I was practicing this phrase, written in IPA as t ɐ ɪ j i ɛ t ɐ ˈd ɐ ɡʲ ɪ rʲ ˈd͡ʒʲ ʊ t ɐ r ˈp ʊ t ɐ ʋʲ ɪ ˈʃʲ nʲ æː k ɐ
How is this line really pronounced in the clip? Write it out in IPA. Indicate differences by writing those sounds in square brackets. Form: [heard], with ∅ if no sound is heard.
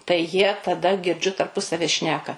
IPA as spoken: t ɐ ɪ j i ɛ t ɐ ˈd ɐ ɡʲ ɪ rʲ ˈd͡ʒʲ ʊ t ɐ r ˈp ʊ [s] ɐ ʋʲ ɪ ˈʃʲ nʲ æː k ɐ